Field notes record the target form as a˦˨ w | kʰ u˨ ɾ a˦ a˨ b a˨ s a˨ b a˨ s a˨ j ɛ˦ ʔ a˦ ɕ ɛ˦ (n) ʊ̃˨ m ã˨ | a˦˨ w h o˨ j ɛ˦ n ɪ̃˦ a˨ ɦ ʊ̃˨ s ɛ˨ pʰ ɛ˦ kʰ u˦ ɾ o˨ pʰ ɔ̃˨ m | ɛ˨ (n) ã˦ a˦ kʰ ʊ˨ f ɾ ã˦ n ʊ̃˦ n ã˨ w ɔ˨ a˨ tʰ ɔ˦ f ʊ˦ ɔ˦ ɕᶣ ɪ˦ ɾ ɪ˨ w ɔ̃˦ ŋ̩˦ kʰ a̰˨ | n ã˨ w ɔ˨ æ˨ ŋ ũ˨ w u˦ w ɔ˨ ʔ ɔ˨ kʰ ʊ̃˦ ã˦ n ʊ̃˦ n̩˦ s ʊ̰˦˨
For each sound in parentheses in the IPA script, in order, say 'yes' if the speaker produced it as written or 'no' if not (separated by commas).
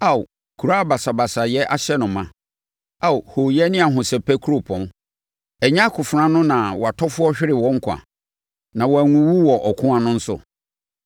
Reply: yes, no